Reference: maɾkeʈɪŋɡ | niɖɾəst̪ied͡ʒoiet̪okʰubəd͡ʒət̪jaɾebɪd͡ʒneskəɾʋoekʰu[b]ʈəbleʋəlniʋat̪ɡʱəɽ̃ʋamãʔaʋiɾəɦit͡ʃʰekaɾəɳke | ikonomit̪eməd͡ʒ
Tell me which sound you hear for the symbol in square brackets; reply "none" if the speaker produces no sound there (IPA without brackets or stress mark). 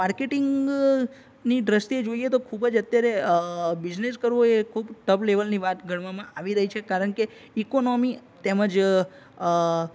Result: b